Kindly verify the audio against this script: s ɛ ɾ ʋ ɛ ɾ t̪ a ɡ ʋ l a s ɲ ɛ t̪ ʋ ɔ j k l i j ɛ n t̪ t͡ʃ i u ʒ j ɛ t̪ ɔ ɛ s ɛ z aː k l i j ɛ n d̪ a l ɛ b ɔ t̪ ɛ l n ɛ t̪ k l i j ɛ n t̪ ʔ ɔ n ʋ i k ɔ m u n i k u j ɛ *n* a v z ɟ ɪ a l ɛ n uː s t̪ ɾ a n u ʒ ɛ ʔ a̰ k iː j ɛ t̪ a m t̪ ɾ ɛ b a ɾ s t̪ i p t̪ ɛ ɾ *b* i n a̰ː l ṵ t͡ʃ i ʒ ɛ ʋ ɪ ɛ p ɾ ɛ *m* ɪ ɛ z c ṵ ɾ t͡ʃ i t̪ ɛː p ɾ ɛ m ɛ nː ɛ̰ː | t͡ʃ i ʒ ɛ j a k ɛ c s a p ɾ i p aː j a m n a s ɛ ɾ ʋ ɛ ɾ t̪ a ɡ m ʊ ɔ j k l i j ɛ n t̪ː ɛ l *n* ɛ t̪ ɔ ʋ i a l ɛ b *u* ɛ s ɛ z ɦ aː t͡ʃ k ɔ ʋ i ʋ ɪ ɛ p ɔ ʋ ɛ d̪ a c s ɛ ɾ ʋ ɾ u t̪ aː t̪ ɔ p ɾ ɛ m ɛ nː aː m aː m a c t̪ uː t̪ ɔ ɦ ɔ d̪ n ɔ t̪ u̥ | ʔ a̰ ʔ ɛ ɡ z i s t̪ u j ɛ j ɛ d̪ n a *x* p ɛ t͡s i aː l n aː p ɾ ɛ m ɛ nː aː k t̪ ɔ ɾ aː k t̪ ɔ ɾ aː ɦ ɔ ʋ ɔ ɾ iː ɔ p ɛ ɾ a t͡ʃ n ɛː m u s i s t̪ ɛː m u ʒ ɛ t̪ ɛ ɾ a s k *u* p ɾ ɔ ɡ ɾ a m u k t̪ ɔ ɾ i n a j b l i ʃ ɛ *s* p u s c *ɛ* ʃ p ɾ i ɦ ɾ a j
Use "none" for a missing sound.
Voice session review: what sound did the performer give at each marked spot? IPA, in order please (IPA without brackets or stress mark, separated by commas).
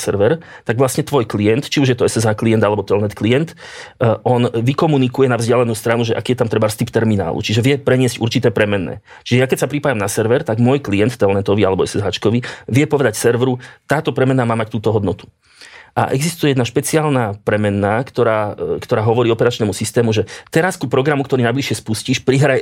n, m, ɲ, n, ɔ, ʃ, u, s, i